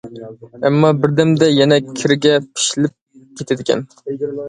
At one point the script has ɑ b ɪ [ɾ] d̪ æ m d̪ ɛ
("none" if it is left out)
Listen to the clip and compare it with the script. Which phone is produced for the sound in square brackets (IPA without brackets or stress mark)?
ɾ